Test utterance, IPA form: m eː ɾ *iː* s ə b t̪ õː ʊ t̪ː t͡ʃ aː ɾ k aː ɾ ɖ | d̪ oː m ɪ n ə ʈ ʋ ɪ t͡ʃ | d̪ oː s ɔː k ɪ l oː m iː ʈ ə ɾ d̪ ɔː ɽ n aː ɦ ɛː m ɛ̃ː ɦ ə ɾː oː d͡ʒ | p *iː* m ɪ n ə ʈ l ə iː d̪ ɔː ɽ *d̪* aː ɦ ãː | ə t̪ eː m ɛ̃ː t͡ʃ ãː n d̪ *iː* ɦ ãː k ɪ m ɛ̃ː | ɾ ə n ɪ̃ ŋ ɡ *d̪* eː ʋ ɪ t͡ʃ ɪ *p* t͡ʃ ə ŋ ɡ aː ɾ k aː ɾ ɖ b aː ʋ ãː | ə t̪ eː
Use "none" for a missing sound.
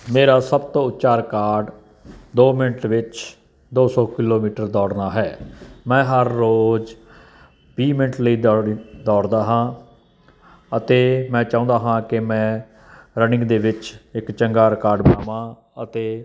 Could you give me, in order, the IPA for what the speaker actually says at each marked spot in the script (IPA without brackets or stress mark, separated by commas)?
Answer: aː, iː, d̪, aː, d̪, k